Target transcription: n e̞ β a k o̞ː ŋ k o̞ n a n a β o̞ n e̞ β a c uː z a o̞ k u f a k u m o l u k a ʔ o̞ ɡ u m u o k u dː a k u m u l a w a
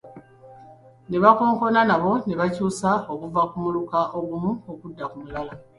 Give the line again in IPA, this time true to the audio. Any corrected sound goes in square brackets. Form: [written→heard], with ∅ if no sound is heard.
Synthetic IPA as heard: n e̞ β a k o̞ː ŋ k o̞ n a n a β o̞ n e̞ β a c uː [z→s] a o̞ k u [f→v] a k u m [o→u] l u k a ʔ o̞ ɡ u m u o k u dː a k u m u l a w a